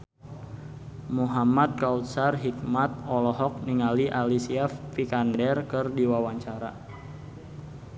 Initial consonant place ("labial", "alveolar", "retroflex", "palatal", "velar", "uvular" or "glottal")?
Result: labial